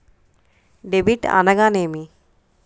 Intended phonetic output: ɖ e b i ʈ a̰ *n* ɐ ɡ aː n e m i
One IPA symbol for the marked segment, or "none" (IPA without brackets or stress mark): n